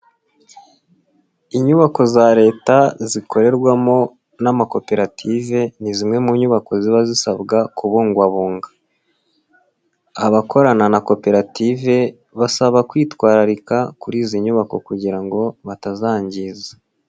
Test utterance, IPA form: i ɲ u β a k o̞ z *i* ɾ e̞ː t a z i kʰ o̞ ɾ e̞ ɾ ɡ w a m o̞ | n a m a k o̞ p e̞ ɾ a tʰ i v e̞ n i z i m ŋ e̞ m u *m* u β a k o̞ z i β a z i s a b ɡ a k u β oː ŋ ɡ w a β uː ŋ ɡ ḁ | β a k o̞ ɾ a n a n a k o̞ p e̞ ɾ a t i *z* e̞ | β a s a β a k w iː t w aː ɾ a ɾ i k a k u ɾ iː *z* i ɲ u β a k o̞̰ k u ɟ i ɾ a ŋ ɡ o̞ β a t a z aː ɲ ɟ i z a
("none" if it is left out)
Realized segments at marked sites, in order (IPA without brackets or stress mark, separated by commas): a, ɲ, v, z